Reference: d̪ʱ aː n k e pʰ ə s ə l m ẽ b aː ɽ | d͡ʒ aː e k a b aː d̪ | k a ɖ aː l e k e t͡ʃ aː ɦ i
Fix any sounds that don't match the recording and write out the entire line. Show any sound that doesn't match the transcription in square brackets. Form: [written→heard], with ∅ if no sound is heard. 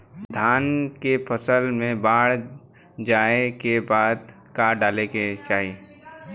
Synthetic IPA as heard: d̪ʱ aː n k e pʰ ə s ə l m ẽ b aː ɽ | d͡ʒ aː e k [a→e] b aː d̪ | k a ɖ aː l e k e t͡ʃ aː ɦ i